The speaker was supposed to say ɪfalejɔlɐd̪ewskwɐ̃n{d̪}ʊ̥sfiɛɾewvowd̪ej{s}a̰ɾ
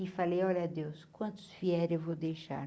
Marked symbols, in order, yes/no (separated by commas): no, no